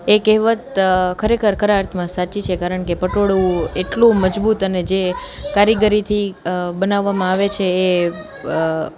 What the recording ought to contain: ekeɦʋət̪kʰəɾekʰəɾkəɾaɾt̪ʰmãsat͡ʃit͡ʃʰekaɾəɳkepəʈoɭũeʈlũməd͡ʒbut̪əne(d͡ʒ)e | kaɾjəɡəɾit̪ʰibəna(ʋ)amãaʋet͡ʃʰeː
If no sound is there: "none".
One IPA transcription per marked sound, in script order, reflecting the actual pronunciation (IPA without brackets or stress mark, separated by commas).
d͡ʒ, ʋː